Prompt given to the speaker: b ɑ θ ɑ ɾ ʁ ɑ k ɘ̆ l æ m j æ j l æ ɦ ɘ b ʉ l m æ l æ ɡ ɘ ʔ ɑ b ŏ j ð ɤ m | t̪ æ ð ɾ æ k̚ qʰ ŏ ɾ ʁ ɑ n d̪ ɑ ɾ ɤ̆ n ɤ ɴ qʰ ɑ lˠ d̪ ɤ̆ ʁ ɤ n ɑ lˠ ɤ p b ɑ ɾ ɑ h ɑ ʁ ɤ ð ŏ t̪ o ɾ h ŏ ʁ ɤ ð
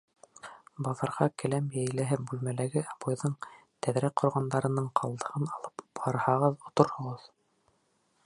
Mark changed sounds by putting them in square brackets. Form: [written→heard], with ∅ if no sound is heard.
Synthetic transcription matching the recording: b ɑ [θ→ð] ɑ ɾ ʁ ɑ k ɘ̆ l æ m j æ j l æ ɦ ɘ b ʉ l m æ l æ ɡ ɘ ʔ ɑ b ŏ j ð ɤ [m→ɴ] | t̪ æ ð ɾ æ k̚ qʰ ŏ ɾ ʁ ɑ n d̪ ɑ ɾ ɤ̆ n ɤ ɴ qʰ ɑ lˠ d̪ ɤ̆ ʁ ɤ n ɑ lˠ ɤ p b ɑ ɾ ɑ h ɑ ʁ ɤ ð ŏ t̪ o ɾ h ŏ ʁ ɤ ð

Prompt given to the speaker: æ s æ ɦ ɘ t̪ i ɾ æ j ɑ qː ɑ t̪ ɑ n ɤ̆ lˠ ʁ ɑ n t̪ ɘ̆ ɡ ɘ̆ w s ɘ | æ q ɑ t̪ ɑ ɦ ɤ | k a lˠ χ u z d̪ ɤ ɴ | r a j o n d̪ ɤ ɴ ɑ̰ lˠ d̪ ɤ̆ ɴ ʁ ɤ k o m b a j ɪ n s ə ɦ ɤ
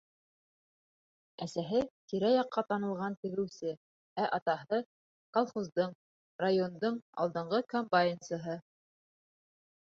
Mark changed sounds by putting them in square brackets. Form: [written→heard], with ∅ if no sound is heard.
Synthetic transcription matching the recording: æ s æ ɦ ɘ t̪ i ɾ æ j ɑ qː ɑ t̪ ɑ n ɤ̆ lˠ ʁ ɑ n t̪ ɘ̆ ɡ ɘ̆ w s ɘ | æ [q→ʔ] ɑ t̪ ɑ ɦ ɤ | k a lˠ χ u z d̪ ɤ ɴ | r a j o n d̪ ɤ ɴ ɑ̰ lˠ d̪ ɤ̆ ɴ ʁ ɤ k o m b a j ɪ n s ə ɦ ɤ

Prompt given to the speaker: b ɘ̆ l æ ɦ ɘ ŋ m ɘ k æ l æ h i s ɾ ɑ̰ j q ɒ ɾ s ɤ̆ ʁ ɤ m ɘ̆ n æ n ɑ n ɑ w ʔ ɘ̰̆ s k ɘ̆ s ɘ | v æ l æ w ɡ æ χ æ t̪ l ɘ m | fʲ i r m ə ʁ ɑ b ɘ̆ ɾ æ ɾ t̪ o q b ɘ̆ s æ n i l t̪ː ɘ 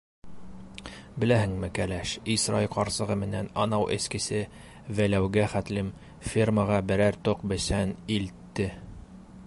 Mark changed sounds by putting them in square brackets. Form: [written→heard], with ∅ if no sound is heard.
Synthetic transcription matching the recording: b ɘ̆ l æ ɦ ɘ ŋ m ɘ k æ l æ [h→ʃ] i s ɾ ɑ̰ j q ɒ ɾ s ɤ̆ ʁ ɤ m ɘ̆ n æ n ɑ n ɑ w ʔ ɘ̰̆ s k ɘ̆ s ɘ | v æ l æ w ɡ æ χ æ t̪ l ɘ m | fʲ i r m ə ʁ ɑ b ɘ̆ ɾ æ ɾ t̪ o q b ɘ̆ s æ n i l t̪ː ɘ

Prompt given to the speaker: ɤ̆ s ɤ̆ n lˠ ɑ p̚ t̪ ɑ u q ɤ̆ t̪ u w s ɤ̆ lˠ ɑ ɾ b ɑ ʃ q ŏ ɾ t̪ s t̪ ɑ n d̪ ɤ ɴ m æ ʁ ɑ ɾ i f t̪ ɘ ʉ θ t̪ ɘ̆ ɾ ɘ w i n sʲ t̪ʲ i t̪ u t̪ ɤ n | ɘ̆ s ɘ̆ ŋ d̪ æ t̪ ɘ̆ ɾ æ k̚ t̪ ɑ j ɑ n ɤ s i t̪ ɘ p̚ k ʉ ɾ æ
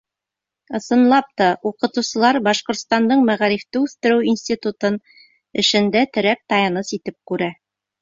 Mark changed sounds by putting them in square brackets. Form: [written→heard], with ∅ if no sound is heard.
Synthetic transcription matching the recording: ɤ̆ s ɤ̆ n lˠ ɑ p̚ t̪ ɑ u q ɤ̆ t̪ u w s ɤ̆ lˠ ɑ ɾ b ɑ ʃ q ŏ ɾ t̪ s t̪ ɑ n d̪ ɤ ɴ m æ ʁ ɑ ɾ i f t̪ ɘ ʉ θ t̪ ɘ̆ ɾ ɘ w i n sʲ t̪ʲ i t̪ u t̪ ɤ n | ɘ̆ [s→ʃ] ɘ̆ [ŋ→n] d̪ æ t̪ ɘ̆ ɾ æ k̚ t̪ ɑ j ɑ n ɤ s i t̪ ɘ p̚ k ʉ ɾ æ

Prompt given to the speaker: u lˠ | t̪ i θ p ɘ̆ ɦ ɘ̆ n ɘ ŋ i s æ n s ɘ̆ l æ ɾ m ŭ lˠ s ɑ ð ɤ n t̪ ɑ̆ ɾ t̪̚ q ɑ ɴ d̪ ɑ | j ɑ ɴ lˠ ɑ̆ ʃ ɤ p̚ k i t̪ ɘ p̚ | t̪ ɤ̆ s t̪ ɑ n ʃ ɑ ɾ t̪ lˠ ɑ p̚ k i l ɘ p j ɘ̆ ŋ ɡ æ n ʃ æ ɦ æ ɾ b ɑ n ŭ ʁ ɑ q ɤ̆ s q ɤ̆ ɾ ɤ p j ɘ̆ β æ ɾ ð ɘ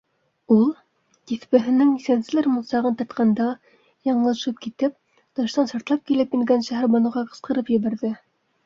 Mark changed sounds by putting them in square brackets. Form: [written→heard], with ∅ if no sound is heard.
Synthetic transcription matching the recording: u lˠ | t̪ i θ p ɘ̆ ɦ ɘ̆ n ɘ ŋ i s æ n s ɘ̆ l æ ɾ m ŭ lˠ s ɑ [ð→ʁ] ɤ n t̪ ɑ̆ ɾ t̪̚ q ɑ [ɴ→n] d̪ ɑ | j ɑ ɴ lˠ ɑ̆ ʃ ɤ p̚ k i t̪ ɘ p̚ | t̪ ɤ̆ [s→ʃ] t̪ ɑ n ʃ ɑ ɾ t̪ lˠ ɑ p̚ k i l ɘ p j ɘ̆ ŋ ɡ æ n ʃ æ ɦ æ ɾ b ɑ n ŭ ʁ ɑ q ɤ̆ s q ɤ̆ ɾ ɤ p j ɘ̆ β æ ɾ ð ɘ

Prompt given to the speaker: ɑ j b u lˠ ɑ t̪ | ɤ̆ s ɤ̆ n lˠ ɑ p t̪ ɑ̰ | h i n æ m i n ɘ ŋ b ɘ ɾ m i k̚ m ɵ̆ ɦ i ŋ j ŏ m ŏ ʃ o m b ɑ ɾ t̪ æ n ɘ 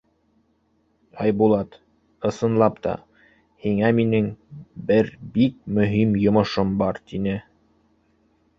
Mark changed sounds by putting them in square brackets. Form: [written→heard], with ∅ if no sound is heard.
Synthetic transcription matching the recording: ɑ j b u lˠ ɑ t̪ | ɤ̆ s ɤ̆ n lˠ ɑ p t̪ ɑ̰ | h i [n→ŋ] æ m i n ɘ ŋ b ɘ ɾ [m→b] i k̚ m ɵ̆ ɦ i [ŋ→m] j ŏ m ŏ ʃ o m b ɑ ɾ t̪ [æ→i] n ɘ

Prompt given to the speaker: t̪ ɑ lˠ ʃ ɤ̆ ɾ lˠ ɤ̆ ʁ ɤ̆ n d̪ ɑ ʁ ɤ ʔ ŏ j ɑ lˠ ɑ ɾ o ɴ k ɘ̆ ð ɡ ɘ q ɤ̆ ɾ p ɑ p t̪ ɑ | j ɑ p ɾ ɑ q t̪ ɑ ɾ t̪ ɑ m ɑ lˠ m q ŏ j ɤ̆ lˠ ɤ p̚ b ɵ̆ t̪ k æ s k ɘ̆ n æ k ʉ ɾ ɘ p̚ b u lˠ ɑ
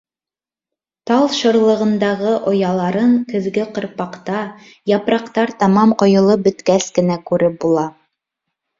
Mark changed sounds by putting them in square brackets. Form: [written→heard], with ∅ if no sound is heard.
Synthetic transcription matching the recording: t̪ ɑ lˠ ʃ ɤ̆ ɾ lˠ ɤ̆ ʁ ɤ̆ n d̪ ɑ ʁ ɤ ʔ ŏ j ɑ lˠ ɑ ɾ [o→ɤ] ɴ k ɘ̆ ð ɡ ɘ q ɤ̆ ɾ p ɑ [p→q] t̪ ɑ | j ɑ p ɾ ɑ q t̪ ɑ ɾ t̪ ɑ m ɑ [lˠ→∅] m q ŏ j ɤ̆ lˠ ɤ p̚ b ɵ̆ t̪ k æ s k ɘ̆ n æ k ʉ ɾ ɘ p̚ b u lˠ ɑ

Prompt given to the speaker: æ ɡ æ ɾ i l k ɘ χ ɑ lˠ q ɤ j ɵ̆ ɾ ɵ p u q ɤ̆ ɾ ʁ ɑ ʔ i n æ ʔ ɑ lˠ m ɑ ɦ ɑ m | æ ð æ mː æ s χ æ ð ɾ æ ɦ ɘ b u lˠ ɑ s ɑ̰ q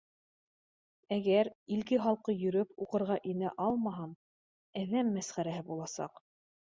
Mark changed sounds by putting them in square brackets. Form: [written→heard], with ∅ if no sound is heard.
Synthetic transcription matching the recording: æ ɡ æ ɾ i l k ɘ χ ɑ lˠ q ɤ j ɵ̆ ɾ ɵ p u q ɤ̆ ɾ ʁ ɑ ʔ i n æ ʔ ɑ lˠ m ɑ ɦ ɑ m | æ ð æ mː æ s χ æ [ð→∅] ɾ æ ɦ ɘ b u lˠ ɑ s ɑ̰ q

